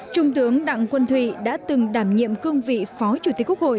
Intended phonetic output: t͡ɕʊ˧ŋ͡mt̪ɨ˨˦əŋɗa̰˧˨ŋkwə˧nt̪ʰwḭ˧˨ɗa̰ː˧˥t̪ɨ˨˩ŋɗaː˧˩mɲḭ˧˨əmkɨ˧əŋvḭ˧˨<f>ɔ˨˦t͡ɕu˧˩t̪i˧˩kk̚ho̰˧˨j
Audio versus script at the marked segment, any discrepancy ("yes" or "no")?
no